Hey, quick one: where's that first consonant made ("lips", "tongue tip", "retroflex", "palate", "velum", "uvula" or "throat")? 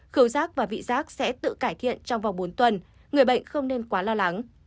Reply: velum